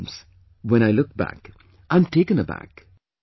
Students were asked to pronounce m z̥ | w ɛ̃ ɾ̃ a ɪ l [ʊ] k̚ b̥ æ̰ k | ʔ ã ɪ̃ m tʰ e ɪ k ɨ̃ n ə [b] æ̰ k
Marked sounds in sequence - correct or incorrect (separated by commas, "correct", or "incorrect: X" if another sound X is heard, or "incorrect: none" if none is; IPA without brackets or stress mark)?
correct, correct